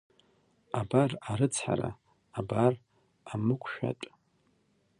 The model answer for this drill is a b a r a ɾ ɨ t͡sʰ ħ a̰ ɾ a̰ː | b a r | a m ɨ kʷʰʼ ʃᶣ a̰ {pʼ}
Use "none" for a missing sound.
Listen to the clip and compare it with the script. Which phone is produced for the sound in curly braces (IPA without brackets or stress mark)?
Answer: tʼ